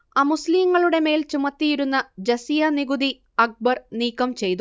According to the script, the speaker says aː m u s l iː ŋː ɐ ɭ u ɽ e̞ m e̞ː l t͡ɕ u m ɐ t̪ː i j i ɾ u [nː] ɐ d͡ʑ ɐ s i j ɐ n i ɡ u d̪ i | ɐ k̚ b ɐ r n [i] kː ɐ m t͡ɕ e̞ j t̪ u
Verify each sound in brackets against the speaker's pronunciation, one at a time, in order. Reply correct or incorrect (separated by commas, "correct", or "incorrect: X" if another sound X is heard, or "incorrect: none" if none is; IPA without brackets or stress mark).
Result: correct, incorrect: iː